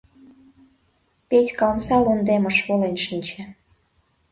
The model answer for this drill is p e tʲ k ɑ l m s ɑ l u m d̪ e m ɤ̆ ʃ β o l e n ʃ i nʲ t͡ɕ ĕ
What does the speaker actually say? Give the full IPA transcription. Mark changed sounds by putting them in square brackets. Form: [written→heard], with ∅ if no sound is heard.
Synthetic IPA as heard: p e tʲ k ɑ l m s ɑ l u [m→n] d̪ e m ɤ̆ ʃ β o l e n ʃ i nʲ t͡ɕ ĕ